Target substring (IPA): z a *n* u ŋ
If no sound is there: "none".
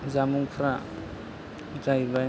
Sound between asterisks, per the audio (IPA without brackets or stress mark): m